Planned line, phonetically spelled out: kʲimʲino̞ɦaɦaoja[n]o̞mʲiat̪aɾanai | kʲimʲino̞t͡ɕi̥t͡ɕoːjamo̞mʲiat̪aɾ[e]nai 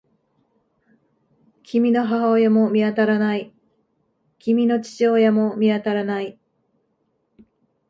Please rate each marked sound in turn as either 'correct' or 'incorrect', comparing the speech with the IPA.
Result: incorrect: m, incorrect: a

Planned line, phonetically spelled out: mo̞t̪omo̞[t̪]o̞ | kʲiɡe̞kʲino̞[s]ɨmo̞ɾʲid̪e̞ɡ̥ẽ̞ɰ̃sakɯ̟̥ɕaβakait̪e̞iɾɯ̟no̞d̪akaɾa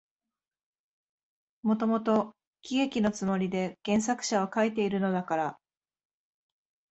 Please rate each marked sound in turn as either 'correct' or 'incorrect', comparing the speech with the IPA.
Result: correct, incorrect: t͡s

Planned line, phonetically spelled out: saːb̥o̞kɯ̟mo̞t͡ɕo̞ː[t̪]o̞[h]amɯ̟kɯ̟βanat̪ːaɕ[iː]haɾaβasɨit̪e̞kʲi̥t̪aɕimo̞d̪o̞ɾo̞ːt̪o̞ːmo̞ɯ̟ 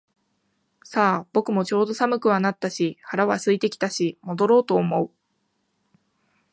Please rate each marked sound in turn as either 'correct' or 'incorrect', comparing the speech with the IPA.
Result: incorrect: d̪, incorrect: s, incorrect: i

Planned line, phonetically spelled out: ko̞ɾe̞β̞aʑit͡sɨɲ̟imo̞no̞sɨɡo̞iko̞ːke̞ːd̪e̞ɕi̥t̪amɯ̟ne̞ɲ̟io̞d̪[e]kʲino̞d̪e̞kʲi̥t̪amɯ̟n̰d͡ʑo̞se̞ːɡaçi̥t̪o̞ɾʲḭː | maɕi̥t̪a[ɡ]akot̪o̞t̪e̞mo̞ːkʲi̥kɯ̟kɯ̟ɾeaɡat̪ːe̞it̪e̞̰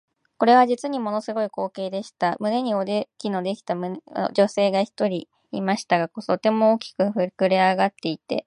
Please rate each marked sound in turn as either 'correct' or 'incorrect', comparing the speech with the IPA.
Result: correct, correct

